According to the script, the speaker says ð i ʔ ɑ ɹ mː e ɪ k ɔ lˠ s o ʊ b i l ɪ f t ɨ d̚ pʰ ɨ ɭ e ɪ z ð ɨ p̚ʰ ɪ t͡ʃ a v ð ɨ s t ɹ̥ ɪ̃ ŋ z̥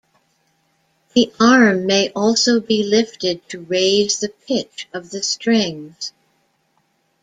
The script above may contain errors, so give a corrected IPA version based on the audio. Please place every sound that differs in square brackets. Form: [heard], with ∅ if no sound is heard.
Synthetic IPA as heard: ð i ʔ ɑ ɹ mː e ɪ [ʔ] ɔ lˠ s o ʊ b i l ɪ f t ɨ d̚ [tʰ] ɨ [ɹ] e ɪ z ð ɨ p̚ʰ ɪ t͡ʃ [ʌ] v ð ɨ s t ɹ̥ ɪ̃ ŋ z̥